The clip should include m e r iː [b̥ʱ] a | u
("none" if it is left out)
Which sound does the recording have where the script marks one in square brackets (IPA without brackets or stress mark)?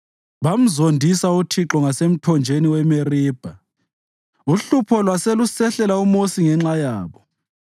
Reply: b̥ʱ